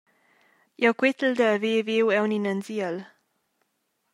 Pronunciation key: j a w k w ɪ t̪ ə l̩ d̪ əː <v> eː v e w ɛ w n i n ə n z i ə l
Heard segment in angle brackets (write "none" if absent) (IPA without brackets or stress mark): v